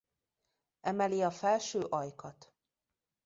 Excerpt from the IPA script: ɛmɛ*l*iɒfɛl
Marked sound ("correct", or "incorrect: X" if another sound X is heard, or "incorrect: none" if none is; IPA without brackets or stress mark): correct